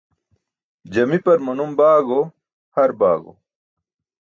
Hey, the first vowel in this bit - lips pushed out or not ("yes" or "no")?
no